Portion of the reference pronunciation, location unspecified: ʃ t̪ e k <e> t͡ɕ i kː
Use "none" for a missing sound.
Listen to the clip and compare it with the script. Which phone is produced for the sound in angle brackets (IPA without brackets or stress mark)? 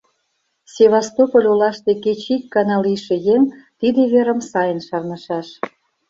e